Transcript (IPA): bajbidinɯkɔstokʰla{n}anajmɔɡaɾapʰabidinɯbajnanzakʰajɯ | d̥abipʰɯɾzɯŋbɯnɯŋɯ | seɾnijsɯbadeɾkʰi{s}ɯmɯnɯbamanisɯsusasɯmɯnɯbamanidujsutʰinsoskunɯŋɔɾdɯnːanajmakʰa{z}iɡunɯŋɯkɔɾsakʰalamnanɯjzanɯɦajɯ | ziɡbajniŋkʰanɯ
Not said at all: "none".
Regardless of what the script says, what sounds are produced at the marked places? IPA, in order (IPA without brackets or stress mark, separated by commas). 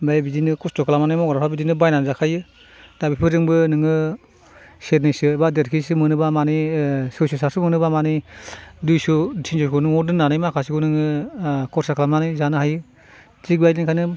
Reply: m, s, s